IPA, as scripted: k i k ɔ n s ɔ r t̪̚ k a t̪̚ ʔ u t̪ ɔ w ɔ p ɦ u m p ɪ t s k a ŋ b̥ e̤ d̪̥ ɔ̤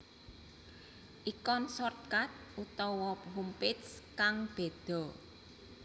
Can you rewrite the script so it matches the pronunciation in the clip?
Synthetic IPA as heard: ʔ i k ɔ n s ɔ r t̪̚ k a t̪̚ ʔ u t̪ ɔ w ɔ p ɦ u m p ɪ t s k a ŋ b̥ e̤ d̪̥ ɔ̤